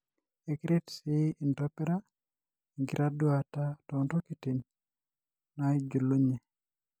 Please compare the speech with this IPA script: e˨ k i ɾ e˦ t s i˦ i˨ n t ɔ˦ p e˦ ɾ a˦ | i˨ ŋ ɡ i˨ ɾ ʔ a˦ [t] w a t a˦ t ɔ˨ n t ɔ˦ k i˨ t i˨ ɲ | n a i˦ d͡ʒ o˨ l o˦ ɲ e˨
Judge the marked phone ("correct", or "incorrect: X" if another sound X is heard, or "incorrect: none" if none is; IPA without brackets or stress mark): incorrect: d